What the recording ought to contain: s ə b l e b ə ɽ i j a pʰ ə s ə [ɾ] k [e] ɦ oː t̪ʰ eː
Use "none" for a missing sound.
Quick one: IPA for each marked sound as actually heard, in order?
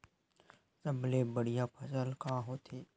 l, a

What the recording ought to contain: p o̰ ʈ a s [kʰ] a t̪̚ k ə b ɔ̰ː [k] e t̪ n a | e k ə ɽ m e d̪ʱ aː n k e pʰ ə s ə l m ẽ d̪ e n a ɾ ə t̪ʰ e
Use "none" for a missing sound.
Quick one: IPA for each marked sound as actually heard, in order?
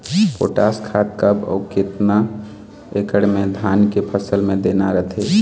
kʰ, k

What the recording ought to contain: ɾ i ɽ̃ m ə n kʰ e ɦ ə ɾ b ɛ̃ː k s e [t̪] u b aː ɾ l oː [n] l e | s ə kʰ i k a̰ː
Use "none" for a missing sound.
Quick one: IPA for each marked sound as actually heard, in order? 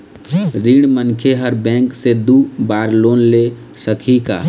d̪, n

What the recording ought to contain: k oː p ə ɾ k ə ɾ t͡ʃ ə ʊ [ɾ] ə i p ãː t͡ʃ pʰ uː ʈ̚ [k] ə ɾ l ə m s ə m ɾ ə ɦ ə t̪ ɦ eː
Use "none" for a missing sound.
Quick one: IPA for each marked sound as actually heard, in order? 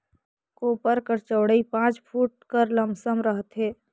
ɽ, k

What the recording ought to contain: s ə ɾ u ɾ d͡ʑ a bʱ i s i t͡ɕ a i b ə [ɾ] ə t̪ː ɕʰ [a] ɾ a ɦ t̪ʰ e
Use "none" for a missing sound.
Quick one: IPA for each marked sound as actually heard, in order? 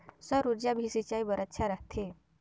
ɾ, a

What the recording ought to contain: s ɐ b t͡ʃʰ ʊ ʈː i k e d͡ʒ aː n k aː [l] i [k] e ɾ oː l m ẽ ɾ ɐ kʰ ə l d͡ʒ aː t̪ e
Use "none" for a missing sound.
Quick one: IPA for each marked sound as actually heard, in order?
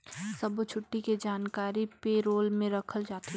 ɾ, p

